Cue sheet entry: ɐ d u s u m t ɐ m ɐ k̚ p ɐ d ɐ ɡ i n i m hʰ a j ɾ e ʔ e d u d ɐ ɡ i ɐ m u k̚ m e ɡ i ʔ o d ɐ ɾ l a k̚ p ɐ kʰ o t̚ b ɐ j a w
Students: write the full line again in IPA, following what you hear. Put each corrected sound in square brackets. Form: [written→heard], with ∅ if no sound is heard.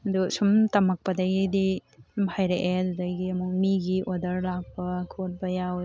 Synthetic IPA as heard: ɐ d u s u m t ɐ m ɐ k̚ p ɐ d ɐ ɡ i [n→d] i m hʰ a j ɾ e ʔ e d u d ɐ ɡ i ɐ m u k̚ m [e→i] ɡ i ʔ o d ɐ ɾ l a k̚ p ɐ kʰ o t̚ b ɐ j a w